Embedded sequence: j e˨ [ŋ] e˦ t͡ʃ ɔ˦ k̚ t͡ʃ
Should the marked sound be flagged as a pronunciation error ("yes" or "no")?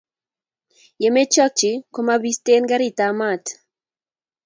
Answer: yes